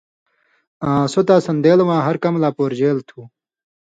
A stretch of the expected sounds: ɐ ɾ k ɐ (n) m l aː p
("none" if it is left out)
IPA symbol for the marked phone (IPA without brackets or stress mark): none